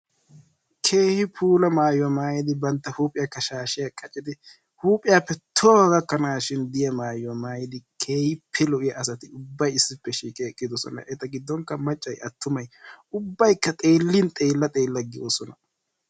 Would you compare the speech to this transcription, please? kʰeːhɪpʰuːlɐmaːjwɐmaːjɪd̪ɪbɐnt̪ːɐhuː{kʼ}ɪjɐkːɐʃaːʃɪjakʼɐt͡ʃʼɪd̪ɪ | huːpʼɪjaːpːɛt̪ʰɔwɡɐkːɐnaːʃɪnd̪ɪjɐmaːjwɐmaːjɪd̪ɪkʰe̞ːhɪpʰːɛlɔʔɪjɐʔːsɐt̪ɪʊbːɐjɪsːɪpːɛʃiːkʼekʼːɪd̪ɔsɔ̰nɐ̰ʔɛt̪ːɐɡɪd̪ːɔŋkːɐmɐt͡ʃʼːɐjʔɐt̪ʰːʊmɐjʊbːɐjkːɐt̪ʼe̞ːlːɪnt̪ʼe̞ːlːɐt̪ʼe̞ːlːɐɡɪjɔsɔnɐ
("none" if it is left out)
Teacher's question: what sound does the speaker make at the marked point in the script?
pʼ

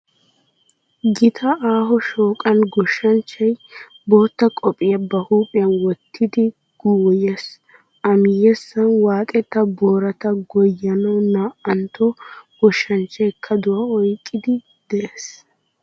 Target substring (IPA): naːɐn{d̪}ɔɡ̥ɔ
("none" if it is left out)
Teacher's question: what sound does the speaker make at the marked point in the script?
t̪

